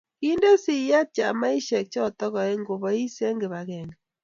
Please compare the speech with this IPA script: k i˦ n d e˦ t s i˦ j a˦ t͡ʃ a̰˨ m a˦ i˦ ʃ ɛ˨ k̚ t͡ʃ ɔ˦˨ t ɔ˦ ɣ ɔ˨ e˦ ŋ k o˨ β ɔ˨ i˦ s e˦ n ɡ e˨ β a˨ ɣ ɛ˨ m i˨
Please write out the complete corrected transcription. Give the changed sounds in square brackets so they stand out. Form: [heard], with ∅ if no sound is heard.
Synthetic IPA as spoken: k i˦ n d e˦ [∅] s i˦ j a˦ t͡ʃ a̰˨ m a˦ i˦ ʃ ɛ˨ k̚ t͡ʃ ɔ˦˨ t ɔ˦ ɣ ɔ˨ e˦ ŋ [ɡ] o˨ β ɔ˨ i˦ s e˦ [ŋ] ɡ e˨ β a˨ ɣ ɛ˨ [n] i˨